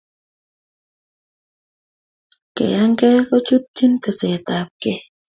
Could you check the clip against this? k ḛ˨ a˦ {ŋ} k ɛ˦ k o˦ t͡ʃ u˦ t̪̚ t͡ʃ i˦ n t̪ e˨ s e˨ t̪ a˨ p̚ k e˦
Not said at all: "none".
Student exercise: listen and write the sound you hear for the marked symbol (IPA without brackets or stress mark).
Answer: ŋ